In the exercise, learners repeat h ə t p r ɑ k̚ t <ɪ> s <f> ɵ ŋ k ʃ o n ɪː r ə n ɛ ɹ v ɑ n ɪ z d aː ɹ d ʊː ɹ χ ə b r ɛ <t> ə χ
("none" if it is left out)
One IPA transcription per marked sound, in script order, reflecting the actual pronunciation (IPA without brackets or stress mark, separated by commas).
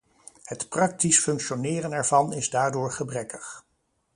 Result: i, f, k